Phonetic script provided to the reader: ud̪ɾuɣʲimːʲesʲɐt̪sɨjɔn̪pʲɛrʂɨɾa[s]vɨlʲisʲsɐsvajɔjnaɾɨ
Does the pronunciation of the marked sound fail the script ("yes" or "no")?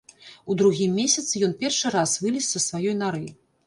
no